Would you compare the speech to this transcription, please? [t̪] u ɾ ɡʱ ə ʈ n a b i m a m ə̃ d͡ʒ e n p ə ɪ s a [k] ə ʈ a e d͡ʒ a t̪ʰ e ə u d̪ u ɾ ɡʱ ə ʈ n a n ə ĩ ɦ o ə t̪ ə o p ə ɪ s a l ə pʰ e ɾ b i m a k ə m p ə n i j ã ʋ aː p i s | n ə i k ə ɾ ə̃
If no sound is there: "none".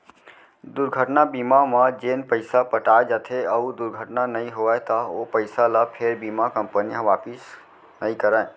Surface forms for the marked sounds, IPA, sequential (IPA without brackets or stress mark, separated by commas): d̪, p